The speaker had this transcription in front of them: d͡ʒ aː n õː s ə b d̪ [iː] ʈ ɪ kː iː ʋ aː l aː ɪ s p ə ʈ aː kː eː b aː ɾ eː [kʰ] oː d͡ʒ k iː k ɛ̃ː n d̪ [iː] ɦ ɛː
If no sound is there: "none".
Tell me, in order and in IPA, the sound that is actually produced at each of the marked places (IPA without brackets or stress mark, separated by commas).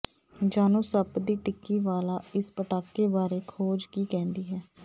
iː, kʰ, iː